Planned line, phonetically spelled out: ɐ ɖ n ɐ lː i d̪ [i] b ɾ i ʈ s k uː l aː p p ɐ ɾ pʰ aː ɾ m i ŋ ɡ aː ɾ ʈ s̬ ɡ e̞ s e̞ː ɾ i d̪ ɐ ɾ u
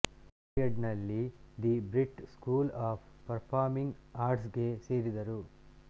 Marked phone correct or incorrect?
correct